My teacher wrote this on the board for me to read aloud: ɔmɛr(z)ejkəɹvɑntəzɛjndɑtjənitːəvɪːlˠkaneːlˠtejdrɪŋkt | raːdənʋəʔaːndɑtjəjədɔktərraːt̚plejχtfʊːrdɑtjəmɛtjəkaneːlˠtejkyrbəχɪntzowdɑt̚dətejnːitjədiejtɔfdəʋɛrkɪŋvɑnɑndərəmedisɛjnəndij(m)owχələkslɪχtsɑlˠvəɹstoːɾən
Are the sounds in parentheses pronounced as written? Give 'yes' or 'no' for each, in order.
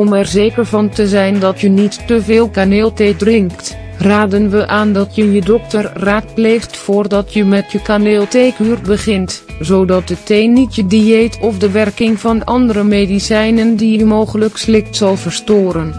yes, yes

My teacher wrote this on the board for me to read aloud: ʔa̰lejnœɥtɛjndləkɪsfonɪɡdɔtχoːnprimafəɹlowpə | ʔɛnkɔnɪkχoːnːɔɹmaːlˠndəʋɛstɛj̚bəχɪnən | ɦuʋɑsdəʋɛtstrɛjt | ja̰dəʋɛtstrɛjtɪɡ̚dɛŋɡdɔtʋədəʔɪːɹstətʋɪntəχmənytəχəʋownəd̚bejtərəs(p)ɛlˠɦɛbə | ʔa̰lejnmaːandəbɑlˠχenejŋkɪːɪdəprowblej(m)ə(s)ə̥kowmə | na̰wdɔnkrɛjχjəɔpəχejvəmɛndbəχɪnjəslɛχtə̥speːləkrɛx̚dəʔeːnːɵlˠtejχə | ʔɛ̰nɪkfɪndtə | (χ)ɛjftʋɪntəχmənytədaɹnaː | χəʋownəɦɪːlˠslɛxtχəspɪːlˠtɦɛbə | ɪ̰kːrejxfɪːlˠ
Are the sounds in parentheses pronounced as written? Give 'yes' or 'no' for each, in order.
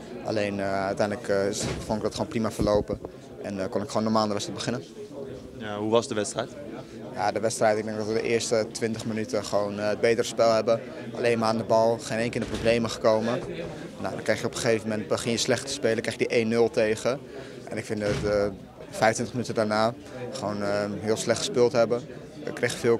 yes, yes, no, no

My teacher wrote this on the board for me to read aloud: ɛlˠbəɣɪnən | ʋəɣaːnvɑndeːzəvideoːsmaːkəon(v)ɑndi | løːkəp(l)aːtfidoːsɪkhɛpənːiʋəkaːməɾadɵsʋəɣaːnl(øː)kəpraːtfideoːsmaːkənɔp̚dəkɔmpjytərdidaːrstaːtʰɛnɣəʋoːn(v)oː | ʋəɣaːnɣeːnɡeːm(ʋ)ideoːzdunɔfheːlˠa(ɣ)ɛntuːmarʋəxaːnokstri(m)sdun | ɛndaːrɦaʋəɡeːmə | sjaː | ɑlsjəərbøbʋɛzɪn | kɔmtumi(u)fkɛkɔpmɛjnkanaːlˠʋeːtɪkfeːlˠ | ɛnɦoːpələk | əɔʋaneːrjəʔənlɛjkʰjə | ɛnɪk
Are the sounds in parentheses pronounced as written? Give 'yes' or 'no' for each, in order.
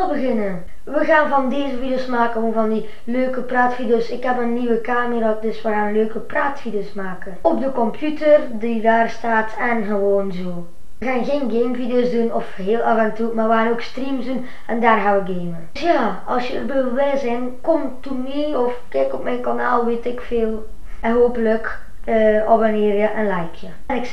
yes, no, yes, no, no, no, yes, no

